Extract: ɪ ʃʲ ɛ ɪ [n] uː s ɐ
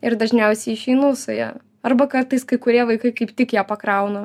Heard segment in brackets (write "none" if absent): n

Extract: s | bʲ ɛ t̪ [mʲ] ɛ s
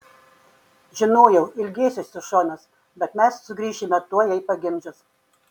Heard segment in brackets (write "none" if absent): mʲ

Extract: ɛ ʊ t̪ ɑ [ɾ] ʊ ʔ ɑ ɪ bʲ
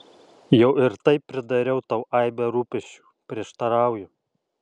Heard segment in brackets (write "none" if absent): none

